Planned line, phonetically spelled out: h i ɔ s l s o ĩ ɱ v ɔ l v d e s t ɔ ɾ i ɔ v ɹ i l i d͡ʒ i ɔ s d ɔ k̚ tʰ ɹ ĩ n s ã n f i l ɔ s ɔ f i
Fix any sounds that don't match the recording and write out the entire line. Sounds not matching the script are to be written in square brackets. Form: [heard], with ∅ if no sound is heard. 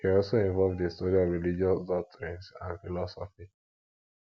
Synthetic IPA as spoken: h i ɔ [∅] l s o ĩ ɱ v ɔ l v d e s t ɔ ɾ i ɔ v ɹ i l i d͡ʒ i ɔ s d ɔ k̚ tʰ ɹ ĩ n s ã n f i l ɔ s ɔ f i

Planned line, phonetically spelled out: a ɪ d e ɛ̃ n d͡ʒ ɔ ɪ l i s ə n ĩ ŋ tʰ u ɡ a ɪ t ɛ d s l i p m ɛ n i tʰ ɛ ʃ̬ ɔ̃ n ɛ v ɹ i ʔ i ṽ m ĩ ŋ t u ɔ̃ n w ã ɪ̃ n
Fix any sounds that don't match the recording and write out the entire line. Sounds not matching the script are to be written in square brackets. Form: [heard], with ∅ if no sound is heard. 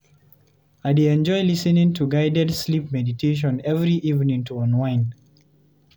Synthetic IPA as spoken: a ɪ d e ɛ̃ n d͡ʒ ɔ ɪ l i s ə n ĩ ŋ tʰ u ɡ a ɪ [d] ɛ d s l i p m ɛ [d] i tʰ [e] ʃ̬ ɔ̃ n ɛ v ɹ i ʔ i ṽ [n] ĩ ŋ t u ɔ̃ n w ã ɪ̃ n

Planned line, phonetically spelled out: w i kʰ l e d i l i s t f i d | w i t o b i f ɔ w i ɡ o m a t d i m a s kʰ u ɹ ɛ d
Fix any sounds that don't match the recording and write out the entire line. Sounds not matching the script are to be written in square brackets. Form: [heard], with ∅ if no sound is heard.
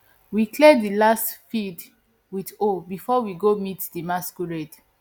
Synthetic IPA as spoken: w i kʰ l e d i l [a] s t f i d | w i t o b i f ɔ w i ɡ o m [i] t d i m a s [k] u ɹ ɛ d

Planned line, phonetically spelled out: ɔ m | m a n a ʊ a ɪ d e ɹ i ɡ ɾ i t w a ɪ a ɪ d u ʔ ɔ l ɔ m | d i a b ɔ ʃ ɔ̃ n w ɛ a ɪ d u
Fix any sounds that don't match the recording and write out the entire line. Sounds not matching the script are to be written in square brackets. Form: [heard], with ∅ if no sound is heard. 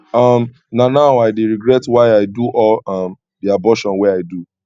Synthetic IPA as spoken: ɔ m | [n] a n a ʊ a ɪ d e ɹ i ɡ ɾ [ɛ] t w a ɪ a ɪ d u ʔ ɔ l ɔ m | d i a b ɔ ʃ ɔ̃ n w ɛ a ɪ d u

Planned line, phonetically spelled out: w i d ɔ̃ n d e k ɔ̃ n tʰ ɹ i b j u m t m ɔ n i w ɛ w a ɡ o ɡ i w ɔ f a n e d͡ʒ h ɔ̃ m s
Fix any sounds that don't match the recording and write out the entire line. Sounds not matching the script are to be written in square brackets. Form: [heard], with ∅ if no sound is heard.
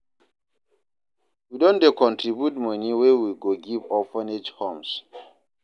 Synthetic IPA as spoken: w i d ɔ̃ n d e k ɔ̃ n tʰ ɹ i b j u [∅] t m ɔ n i w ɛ w [i] ɡ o ɡ i [v] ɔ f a n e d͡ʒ h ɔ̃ m s

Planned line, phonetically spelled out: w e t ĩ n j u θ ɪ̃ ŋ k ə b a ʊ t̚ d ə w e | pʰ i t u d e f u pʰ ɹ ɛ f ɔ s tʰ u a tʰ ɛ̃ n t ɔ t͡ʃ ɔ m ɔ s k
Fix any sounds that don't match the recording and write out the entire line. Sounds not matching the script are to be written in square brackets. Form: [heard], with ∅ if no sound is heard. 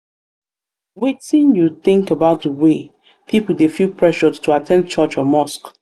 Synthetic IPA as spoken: w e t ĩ n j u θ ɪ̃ ŋ k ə b a ʊ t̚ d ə w e | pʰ i [p] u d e f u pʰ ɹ ɛ [ʃ] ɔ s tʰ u a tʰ ɛ̃ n [t͡ʃ] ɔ t͡ʃ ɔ m ɔ s k

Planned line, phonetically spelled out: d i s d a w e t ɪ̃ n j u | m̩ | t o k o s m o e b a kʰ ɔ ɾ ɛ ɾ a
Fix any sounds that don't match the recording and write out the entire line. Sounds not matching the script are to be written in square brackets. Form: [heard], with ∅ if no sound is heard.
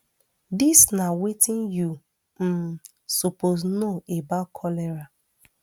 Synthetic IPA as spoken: d i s [n] a w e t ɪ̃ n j u | m̩ | [s] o [p] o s [n] o e b a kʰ ɔ [l] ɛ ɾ a

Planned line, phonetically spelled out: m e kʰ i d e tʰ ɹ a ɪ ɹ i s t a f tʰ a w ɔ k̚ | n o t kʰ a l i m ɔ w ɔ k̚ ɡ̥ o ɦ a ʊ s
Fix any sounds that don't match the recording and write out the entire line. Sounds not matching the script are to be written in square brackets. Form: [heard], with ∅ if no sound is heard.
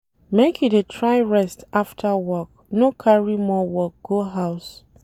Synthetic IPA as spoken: m e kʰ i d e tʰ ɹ a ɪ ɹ [ɛ] s t a f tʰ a w ɔ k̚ | n o [∅] kʰ a [ɹ] i m ɔ w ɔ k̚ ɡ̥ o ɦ a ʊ s

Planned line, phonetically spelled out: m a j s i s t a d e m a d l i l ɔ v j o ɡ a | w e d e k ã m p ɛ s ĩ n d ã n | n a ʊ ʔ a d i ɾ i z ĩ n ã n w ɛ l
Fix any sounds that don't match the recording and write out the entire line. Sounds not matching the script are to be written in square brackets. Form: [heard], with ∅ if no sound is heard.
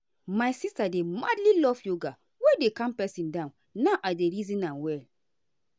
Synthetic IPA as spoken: m a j s i s t a d e m a d l i l ɔ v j o ɡ a | w e d e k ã m p ɛ s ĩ n d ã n | n a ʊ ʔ a d [e] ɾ i z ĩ n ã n w ɛ l

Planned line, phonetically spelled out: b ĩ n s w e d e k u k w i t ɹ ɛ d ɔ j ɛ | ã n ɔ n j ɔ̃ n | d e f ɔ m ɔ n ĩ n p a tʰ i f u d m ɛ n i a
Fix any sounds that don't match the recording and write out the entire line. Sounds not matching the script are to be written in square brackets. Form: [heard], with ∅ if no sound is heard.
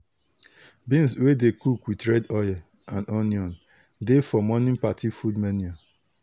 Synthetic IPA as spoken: b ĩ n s w e d e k u k w i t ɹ ɛ d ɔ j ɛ | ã n ɔ n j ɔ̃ n | d e f ɔ m ɔ n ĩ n p a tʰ i f u d m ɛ n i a

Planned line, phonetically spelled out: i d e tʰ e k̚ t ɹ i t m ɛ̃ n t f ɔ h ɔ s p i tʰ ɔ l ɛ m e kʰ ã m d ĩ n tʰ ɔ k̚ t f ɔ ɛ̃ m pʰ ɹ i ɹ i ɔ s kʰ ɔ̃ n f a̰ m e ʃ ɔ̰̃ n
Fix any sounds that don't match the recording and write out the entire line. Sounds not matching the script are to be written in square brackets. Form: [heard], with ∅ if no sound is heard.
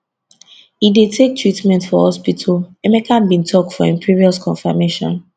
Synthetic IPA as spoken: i d e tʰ e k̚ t ɹ i t m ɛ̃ n t f ɔ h ɔ s p i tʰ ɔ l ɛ m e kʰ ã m [b] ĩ n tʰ ɔ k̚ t f ɔ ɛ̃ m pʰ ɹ i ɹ i ɔ s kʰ ɔ̃ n f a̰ m e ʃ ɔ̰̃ n

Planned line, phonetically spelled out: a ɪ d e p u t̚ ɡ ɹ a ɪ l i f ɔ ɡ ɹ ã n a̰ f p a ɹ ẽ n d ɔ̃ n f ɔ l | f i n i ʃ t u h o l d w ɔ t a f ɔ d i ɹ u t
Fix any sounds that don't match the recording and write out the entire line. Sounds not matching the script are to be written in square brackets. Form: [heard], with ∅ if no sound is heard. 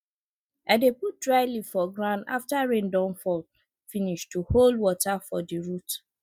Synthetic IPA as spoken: a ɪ d e p u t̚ [d] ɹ a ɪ l i f ɔ ɡ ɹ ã n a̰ f [t] a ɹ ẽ n d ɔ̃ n f ɔ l | f i n i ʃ t u h o l d w ɔ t a f ɔ d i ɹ u t

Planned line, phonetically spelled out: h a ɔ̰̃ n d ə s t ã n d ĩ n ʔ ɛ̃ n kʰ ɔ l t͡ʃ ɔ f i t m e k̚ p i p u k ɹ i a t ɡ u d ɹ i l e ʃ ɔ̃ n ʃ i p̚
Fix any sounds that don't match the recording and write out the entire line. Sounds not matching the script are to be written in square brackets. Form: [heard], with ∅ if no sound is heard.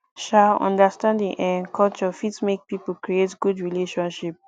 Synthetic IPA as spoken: [ʃ] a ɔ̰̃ n d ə s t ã n d ĩ [ŋ] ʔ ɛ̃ n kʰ ɔ l t͡ʃ ɔ f i t m e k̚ p i p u k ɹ i [e] t ɡ u d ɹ i l e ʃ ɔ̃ n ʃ i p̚

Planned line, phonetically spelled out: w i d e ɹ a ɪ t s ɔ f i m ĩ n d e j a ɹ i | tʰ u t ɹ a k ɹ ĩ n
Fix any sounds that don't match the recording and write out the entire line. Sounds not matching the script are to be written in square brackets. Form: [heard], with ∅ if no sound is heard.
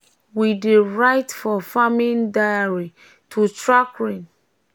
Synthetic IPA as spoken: w i d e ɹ a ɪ t [f] ɔ f [a] m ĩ n d [a] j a ɹ i | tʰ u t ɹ a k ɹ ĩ n

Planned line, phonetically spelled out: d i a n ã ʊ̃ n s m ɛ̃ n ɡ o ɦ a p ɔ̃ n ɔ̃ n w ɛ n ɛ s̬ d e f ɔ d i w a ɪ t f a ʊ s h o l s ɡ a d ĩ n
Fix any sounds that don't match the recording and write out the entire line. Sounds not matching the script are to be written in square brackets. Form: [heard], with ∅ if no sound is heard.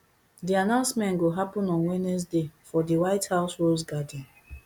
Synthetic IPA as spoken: d i a n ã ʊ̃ n s m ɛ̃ n ɡ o ɦ a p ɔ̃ n ɔ̃ n w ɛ n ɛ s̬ d e f ɔ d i w a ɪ t [h] a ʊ s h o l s ɡ a d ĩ n

